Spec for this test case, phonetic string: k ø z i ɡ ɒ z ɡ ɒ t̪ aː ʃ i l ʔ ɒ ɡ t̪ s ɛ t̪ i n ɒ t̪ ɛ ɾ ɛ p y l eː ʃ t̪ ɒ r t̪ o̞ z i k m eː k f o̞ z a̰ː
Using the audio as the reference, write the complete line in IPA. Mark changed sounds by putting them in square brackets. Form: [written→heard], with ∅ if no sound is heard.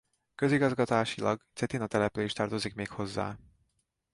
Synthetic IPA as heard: k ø z i ɡ ɒ z ɡ ɒ t̪ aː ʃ i l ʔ ɒ ɡ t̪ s ɛ t̪ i n ɒ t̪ ɛ [ɾ→l] ɛ p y l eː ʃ t̪ ɒ r t̪ o̞ z i k m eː k [f→h] o̞ [z→zː] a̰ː